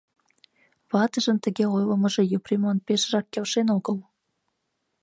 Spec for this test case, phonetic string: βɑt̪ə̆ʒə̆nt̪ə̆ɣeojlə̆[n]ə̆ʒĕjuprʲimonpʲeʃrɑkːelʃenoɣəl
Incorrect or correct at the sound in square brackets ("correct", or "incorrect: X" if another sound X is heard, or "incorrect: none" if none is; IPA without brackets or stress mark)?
incorrect: m